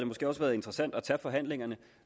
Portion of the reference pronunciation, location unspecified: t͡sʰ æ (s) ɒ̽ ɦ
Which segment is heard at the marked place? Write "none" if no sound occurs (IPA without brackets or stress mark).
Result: f